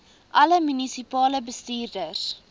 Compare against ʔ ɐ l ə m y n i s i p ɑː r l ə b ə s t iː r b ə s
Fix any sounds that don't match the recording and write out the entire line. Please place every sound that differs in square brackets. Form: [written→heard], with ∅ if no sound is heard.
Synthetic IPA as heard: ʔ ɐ l ə m y n i s i p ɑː [r→∅] l ə b ə s t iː r [b→d] ə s